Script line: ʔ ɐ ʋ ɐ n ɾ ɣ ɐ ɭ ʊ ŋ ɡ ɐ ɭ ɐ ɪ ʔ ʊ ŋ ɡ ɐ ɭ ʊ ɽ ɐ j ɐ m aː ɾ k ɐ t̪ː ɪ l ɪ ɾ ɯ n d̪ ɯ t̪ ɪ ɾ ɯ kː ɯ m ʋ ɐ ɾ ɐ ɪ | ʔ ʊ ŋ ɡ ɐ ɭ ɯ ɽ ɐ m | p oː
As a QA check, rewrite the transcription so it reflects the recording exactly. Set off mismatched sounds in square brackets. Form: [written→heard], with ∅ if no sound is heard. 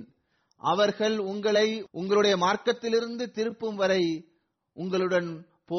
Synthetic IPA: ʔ ɐ ʋ ɐ [n→∅] ɾ ɣ ɐ ɭ ʊ ŋ ɡ ɐ ɭ ɐ ɪ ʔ ʊ ŋ ɡ ɐ ɭ [ʊ→ɯ] ɽ ɐ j ɐ m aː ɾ k ɐ t̪ː ɪ l ɪ ɾ ɯ n d̪ ɯ t̪ ɪ ɾ ɯ [kː→pː] ɯ m ʋ ɐ ɾ ɐ ɪ | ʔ ʊ ŋ ɡ ɐ ɭ ɯ ɽ ɐ [m→n] | p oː